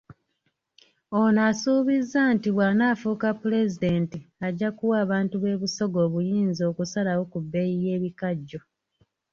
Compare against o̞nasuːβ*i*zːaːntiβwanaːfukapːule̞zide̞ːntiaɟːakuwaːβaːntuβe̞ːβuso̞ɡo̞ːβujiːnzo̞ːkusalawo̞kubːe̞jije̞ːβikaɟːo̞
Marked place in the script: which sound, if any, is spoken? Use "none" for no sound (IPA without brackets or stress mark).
i